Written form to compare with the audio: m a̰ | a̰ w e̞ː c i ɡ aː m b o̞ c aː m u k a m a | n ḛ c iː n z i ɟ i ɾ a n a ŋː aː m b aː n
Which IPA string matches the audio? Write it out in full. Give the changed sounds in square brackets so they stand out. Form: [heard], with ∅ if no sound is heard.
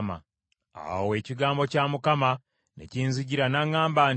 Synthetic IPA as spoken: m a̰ | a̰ w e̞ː c i ɡ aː m b o̞ c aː m u k a m a | n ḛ c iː n z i ɟ i ɾ a n a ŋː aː m b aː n